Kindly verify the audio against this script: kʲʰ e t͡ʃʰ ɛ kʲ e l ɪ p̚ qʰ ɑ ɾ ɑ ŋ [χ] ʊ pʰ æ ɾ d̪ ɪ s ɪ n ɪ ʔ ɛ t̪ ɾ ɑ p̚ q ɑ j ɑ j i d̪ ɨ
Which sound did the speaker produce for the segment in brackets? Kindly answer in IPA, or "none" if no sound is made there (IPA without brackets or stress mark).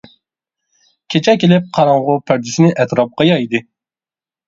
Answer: ʁ